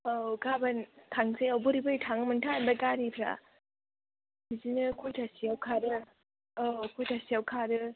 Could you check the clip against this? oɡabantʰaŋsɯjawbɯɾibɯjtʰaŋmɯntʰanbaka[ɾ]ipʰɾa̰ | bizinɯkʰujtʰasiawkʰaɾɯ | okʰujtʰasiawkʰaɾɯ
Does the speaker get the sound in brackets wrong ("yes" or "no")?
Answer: no